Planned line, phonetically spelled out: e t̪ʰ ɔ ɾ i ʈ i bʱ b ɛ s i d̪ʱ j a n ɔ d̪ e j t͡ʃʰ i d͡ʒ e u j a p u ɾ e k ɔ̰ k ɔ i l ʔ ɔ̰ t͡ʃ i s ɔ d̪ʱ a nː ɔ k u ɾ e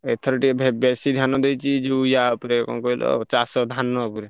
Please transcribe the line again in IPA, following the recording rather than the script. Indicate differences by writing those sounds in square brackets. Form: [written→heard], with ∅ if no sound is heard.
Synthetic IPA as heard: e t̪ʰ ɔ ɾ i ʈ i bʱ b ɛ s i d̪ʱ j a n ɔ d̪ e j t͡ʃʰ i d͡ʒ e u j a p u ɾ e k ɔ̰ k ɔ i l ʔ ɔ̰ t͡ʃ [i→a] s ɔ d̪ʱ a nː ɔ [k→p] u ɾ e